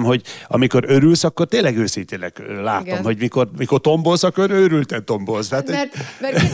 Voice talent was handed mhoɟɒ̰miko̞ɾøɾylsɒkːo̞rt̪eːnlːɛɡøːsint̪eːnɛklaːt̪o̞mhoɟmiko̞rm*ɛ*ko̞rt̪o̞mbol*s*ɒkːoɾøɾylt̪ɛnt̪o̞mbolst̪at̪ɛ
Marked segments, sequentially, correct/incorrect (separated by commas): incorrect, correct